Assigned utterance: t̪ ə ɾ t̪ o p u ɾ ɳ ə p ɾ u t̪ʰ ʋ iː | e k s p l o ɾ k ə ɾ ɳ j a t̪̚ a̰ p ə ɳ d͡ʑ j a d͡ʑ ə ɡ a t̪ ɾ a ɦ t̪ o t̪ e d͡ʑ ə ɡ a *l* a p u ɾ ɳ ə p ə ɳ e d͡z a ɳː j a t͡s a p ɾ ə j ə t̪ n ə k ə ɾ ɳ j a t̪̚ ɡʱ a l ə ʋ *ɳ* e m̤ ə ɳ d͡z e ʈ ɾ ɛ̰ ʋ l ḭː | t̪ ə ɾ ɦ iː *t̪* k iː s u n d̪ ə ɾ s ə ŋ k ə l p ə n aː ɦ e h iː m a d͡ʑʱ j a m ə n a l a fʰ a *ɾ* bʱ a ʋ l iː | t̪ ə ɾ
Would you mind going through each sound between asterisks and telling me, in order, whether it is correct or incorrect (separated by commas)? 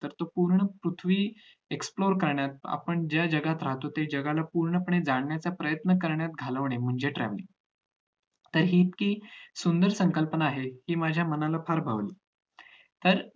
correct, correct, correct, correct